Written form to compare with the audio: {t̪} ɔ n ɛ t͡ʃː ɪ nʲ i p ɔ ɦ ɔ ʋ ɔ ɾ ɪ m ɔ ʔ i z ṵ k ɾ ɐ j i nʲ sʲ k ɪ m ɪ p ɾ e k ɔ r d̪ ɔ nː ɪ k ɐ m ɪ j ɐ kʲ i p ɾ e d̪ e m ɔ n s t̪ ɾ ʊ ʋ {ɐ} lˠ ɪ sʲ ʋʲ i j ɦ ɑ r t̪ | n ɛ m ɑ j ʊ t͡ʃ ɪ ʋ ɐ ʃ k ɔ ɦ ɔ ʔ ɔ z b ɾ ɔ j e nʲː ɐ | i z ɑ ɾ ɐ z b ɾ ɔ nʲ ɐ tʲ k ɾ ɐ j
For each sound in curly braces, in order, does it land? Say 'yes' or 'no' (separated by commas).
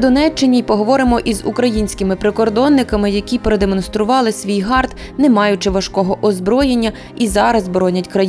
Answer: no, no